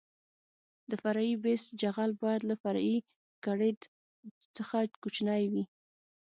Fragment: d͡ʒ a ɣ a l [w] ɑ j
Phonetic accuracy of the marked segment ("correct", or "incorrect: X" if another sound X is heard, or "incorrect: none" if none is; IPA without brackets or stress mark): incorrect: b